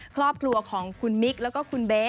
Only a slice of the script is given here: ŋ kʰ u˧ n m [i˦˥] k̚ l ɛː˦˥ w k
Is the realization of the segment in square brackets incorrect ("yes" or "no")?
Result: no